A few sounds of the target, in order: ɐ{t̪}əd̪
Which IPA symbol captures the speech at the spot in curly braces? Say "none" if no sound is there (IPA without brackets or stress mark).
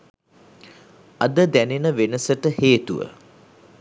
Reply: d̪